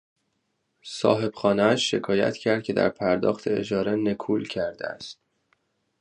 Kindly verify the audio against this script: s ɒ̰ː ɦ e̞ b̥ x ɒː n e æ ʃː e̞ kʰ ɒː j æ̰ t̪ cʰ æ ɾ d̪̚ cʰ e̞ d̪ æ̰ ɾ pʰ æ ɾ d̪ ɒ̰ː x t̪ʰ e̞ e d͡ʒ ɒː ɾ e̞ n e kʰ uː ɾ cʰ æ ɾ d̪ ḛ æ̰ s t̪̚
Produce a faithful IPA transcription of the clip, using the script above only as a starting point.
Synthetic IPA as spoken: s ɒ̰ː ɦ e̞ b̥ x ɒː n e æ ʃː e̞ kʰ ɒː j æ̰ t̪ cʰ æ ɾ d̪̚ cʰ e̞ d̪ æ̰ ɾ pʰ æ ɾ d̪ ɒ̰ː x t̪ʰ e̞ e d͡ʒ ɒː ɾ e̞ n e kʰ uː l cʰ æ ɾ d̪ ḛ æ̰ s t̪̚

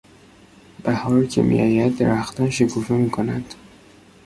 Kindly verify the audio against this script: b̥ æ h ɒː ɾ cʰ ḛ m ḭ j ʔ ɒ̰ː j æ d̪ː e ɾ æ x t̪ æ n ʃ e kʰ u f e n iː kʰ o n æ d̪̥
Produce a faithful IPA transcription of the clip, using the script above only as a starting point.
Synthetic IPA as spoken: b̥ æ h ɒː ɾ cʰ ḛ m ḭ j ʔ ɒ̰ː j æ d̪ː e ɾ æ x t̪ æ n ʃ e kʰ u f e m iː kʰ o n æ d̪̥

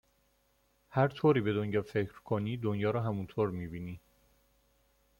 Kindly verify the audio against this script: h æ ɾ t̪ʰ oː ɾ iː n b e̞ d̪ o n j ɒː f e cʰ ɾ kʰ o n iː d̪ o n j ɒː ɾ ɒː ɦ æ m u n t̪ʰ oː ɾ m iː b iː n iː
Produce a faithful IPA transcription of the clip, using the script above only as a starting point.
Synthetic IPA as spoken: h æ ɾ t̪ʰ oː ɾ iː b e̞ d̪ o n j ɒː f e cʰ ɾ kʰ o n iː d̪ o n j ɒː ɾ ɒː ɦ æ m u n t̪ʰ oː ɾ m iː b iː n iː

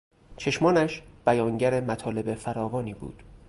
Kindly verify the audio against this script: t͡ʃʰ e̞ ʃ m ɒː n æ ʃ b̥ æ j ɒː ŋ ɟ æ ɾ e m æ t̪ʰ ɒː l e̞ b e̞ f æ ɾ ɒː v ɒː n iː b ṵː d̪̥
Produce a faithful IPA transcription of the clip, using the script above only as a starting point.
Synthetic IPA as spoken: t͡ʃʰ e̞ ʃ m ɒː n æ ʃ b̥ æ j ɒː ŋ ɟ æ ɾ e m æ t̪ʰ ɒː l e̞ b e̞ f æ ɾ ɒː v ɒː n iː b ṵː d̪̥

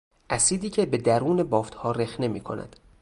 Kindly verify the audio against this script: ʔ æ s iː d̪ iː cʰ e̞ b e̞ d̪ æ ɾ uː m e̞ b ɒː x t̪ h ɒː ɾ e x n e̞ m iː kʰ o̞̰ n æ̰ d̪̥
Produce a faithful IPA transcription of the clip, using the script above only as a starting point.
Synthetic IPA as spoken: ʔ æ s iː d̪ iː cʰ e̞ b e̞ d̪ æ ɾ uː n e̞ b ɒː f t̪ h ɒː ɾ e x n e̞ m iː kʰ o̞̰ n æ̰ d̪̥

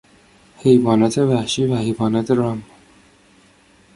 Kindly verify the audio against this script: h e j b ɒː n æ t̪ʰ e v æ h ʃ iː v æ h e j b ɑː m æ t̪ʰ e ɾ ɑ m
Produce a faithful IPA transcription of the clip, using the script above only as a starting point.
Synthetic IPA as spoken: h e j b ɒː n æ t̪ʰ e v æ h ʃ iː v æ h e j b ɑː n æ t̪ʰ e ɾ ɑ m

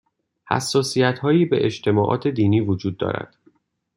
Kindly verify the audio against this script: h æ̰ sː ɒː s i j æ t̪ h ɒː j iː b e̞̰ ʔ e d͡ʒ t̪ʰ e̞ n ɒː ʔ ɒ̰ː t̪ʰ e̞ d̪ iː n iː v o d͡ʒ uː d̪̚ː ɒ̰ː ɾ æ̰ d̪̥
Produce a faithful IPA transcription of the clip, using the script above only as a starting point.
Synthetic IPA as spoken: h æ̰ sː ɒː s i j æ t̪ h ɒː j iː b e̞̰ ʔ e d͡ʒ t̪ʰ e̞ m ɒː ʔ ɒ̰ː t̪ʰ e̞ d̪ iː n iː v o d͡ʒ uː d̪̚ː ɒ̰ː ɾ æ̰ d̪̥

